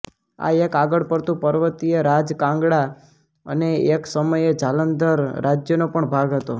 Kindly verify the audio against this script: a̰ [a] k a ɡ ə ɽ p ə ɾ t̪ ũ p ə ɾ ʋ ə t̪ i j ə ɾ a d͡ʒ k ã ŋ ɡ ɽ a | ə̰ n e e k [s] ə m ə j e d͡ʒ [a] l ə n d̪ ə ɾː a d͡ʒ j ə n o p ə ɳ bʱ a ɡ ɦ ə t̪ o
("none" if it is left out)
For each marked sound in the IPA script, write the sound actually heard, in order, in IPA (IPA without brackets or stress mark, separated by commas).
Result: e, s, a